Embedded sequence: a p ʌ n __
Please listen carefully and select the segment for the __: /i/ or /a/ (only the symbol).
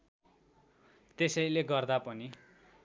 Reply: i